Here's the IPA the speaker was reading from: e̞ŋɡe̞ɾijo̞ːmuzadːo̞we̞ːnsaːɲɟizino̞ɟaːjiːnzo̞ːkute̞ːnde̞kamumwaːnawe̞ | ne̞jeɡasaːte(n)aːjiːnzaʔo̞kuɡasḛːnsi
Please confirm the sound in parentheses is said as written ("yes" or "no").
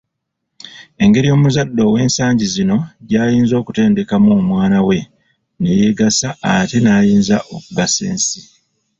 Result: yes